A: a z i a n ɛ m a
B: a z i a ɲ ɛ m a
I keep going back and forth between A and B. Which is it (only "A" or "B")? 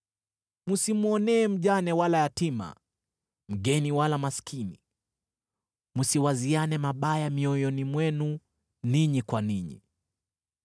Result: A